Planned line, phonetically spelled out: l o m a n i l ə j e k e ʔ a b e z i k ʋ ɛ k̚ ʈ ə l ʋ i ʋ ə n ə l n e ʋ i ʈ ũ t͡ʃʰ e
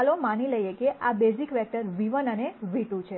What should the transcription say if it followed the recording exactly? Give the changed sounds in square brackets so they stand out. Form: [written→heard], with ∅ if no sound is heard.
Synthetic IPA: l o m a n i l ə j e k e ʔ a b e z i k ʋ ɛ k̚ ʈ ə [l→ɾ] ʋ i ʋ ə n ə [l→∅] n e ʋ i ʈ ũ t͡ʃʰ e